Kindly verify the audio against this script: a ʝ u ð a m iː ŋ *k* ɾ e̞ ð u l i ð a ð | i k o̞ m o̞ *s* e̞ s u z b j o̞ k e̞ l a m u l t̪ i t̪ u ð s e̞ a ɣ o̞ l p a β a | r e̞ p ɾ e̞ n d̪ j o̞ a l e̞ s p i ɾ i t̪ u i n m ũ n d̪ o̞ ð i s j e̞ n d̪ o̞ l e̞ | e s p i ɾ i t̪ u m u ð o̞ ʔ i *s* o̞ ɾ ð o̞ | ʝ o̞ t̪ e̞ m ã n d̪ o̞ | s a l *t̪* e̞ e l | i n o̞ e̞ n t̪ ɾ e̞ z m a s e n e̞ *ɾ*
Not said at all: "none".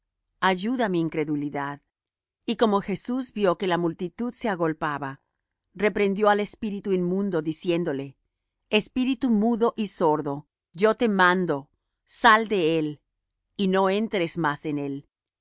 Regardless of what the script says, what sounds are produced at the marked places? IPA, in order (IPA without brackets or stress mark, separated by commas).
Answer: k, x, s, d̪, l